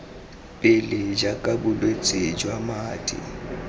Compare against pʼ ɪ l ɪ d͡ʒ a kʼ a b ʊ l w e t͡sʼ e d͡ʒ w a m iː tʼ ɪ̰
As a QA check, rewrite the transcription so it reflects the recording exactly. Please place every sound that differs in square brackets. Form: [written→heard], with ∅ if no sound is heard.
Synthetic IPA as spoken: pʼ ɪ l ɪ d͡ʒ a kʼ a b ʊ l w e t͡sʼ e d͡ʒ w a m [iː→aː] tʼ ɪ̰